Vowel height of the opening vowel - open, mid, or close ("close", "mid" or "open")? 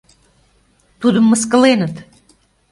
close